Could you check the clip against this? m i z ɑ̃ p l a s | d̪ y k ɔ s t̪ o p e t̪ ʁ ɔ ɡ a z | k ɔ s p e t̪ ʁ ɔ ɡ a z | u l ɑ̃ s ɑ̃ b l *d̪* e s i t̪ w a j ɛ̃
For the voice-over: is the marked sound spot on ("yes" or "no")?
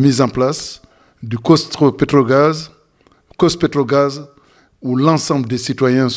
yes